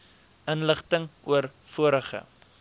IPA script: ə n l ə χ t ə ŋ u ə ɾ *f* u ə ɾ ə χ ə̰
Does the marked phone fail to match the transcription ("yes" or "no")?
no